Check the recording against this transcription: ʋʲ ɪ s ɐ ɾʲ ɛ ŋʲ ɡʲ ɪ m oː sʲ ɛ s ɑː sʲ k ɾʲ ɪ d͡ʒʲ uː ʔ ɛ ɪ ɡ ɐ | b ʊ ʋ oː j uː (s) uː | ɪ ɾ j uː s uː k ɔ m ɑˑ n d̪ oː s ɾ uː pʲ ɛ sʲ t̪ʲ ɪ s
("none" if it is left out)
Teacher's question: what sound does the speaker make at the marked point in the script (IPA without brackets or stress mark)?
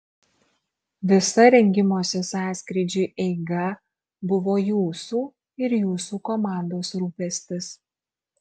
s